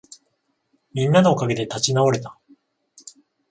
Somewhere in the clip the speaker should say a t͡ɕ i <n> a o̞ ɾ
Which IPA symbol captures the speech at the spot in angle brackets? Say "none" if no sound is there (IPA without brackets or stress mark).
n